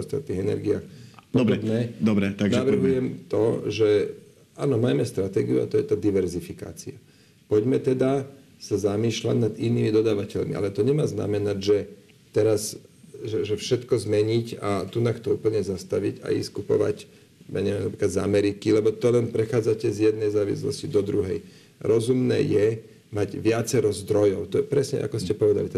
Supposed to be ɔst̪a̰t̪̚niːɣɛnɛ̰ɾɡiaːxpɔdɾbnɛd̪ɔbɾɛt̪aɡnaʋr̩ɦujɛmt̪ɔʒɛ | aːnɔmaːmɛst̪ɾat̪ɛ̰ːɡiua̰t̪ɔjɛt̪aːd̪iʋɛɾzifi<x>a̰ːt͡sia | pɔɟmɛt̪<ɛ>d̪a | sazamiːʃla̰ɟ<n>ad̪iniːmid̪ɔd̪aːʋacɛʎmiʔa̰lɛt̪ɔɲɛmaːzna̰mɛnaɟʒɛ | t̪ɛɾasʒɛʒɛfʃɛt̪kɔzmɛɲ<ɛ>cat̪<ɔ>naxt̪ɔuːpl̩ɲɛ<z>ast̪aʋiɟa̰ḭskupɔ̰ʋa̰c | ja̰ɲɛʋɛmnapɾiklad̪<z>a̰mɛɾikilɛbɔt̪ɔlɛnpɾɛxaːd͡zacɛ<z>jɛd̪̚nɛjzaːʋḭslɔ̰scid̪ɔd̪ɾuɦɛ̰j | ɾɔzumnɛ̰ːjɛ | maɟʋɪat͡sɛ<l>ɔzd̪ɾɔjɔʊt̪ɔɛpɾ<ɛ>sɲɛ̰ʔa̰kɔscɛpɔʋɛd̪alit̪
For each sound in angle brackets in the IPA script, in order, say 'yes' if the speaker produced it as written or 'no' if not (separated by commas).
no, yes, yes, no, no, yes, yes, yes, no, yes